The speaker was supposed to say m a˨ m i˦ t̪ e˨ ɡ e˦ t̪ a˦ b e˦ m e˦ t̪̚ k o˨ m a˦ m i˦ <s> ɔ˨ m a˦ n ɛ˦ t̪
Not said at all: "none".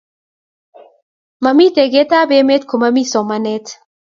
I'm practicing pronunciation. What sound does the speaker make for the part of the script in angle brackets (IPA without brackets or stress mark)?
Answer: s